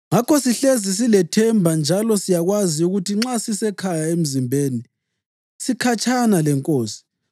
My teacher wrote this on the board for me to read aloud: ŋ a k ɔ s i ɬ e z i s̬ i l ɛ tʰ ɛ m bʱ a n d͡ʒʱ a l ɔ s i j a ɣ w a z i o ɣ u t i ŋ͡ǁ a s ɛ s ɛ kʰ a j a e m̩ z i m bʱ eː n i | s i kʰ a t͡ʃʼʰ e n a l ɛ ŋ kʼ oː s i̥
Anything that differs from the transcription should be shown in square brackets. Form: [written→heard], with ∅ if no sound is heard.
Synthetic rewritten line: ŋ a k ɔ s i ɬ e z i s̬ i l ɛ tʰ ɛ m bʱ a n d͡ʒʱ a l ɔ s i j a ɣ w a z i [o→u] ɣ u t i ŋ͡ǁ a s [ɛ→i] s ɛ kʰ a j a e m̩ z i m bʱ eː n i | s i kʰ a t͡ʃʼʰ [e→a] n a l ɛ ŋ kʼ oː s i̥